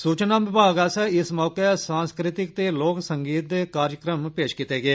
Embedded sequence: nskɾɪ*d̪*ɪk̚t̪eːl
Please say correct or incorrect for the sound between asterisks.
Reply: incorrect